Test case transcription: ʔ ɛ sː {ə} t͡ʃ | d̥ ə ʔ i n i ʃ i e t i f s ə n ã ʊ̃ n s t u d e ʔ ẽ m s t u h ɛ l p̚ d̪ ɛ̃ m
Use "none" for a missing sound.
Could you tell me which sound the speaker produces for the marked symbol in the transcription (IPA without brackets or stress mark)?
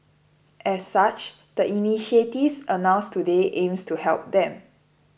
a